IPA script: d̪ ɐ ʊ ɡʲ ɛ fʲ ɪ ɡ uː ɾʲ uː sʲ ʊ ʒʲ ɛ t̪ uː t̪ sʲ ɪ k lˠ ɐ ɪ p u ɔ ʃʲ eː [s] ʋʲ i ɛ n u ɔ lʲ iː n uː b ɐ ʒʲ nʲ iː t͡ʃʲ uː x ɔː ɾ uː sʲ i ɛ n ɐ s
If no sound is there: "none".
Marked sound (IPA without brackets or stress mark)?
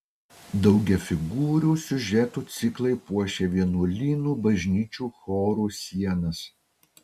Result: none